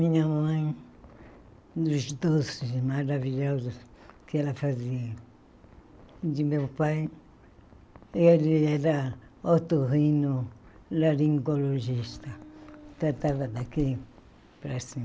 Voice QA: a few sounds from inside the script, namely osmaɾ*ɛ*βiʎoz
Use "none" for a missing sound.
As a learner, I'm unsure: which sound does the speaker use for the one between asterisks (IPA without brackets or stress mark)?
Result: a